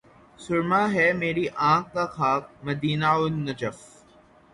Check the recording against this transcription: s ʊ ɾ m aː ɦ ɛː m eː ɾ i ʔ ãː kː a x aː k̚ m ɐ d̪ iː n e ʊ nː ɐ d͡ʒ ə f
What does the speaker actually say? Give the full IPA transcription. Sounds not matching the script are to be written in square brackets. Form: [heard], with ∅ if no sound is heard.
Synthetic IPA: s ʊ ɾ m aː ɦ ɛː m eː ɾ i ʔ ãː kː a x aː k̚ m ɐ d̪ iː n [a] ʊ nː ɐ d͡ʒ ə f